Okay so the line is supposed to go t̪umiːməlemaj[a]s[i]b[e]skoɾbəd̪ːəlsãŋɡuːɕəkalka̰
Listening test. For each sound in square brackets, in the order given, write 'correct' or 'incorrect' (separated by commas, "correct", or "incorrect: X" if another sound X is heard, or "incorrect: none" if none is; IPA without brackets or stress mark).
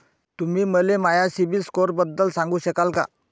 correct, correct, incorrect: i